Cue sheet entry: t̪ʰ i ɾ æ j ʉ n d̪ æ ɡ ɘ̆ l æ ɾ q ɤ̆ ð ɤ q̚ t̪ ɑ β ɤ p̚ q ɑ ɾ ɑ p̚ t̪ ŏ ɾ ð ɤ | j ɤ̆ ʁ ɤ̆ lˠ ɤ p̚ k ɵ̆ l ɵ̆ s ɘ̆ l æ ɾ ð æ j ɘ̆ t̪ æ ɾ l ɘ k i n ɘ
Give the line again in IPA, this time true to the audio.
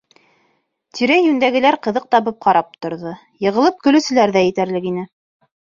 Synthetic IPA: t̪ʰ i ɾ æ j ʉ n d̪ æ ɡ ɘ̆ l æ ɾ q ɤ̆ ð ɤ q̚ t̪ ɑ β ɤ p̚ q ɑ ɾ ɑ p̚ t̪ ŏ ɾ ð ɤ | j ɤ̆ ʁ ɤ̆ lˠ ɤ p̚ k ɵ̆ l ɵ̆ s ɘ̆ l æ ɾ ð æ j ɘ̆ t̪ æ ɾ l ɘ k i n ɘ